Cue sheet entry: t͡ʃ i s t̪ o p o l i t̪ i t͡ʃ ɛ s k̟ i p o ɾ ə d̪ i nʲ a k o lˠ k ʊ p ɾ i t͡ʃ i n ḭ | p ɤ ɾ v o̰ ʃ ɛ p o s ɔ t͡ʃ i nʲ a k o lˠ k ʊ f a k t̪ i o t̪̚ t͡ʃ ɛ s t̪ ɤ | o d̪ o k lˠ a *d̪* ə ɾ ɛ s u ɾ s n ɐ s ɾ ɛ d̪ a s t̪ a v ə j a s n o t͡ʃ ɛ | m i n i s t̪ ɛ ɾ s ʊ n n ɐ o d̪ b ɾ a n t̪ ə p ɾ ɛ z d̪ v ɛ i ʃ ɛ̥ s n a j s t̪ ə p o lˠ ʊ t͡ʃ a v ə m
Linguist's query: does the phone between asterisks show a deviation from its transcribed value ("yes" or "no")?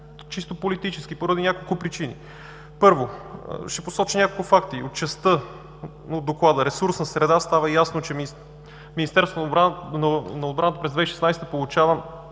no